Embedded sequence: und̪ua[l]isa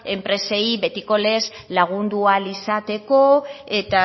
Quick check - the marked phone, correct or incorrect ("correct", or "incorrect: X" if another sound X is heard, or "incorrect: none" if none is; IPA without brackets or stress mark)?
correct